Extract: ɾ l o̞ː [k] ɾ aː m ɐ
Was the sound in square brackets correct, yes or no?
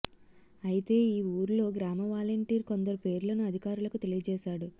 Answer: no